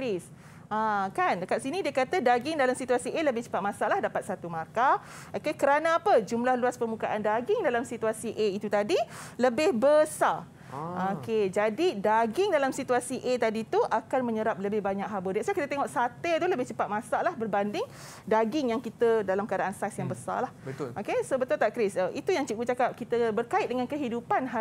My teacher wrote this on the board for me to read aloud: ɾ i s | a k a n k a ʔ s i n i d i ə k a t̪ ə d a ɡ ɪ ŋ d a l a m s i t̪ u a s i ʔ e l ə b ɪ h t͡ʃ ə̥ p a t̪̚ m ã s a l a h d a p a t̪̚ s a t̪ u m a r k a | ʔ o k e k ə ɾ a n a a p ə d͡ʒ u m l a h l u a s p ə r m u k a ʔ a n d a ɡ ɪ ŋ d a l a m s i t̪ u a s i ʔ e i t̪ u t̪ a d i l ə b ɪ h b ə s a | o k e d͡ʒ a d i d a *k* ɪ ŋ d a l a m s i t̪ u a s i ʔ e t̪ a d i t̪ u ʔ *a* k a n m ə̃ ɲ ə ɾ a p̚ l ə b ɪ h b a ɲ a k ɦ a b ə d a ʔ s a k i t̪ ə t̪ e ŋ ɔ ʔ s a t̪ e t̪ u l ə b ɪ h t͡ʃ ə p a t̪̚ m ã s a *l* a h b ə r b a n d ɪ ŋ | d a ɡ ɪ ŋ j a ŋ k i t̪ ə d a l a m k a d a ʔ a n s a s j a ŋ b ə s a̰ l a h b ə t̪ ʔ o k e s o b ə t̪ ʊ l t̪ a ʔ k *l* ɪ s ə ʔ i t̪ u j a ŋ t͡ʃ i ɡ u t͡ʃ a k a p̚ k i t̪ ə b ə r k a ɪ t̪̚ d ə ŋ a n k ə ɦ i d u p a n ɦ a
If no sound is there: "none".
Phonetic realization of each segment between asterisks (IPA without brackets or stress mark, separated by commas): ɡ, a, l, ɾ